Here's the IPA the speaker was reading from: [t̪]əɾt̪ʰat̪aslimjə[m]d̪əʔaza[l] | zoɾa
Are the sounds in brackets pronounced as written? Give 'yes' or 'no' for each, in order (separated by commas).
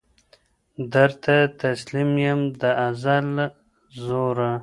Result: no, yes, yes